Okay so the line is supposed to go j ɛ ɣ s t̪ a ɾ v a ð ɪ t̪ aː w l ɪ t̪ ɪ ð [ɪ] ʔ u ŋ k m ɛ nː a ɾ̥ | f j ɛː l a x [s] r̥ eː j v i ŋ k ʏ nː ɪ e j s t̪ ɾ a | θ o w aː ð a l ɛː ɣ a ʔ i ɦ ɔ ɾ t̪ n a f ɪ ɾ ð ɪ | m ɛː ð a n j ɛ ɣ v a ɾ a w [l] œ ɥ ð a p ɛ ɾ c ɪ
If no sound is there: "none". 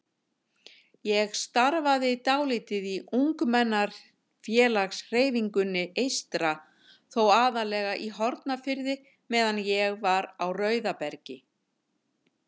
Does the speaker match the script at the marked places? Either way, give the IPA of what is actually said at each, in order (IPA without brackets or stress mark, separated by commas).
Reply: i, s, r